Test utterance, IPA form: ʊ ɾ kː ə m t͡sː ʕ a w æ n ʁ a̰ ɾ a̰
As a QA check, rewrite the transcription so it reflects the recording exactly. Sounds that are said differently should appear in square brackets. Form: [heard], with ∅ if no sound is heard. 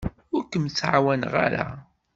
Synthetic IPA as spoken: ʊ ɾ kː ə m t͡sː ʕ a w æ n ʁ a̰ ɾ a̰